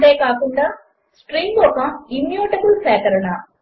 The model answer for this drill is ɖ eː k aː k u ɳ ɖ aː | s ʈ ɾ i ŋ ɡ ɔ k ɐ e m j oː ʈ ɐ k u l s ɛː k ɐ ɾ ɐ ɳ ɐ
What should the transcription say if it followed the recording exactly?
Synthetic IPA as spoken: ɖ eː k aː k u ɳ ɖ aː | s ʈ ɾ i ŋ ɡ ɔ k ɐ i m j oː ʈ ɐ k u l s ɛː k ɐ ɾ ɐ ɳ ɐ